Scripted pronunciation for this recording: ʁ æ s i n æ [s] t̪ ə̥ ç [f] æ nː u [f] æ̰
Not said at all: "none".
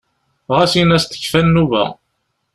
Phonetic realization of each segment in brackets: s, f, v

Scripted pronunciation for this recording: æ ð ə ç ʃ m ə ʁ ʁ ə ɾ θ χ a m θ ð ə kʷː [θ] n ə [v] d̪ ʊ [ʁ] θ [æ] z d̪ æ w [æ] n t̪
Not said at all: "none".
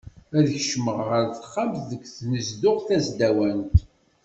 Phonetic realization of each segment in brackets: θ, z, ʁ, æ, æ

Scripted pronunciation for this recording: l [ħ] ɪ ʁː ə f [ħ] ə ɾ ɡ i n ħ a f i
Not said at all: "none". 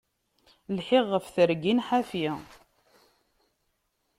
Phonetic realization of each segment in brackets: ħ, θ

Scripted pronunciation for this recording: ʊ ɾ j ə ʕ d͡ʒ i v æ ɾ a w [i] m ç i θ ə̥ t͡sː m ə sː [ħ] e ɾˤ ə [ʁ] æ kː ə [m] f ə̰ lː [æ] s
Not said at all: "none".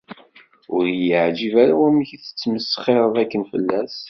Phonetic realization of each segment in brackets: æ, χ, ð, n, æ

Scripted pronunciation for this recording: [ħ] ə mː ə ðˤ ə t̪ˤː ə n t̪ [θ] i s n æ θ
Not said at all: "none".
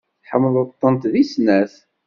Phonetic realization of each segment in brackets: ħ, ð

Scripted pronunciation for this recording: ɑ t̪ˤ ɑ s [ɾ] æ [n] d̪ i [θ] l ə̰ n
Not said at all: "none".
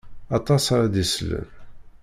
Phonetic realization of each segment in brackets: ɾ, none, s

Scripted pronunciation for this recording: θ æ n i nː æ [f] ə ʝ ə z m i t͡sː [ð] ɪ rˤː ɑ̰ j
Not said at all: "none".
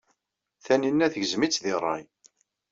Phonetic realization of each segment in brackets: θ, ð

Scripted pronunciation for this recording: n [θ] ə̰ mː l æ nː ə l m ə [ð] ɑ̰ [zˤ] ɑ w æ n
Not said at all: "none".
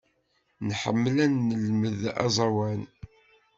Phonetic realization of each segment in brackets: ħ, ð, zˤ

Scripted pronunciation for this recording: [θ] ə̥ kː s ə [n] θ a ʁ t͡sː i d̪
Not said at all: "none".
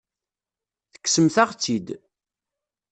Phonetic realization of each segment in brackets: θ, m

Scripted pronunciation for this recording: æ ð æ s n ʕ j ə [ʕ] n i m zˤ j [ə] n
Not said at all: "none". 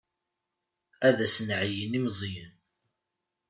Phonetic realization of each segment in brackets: none, ə

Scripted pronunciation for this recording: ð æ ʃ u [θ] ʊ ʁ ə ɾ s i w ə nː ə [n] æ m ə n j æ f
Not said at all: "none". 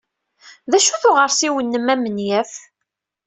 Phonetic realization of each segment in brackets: θ, m

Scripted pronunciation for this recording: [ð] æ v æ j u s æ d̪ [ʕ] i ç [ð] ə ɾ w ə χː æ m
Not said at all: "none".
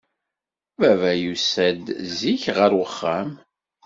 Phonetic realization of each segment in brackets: v, z, ʁ

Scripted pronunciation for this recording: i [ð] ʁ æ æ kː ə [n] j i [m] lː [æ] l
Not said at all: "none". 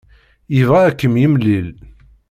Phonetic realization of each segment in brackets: v, m, m, i

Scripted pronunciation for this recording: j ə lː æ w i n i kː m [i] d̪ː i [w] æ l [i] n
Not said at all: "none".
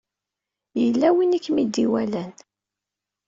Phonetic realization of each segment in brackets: i, w, æ

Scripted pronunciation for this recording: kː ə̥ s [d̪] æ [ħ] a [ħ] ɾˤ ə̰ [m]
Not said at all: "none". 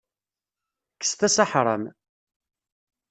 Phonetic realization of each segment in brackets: t̪, s, ħ, m

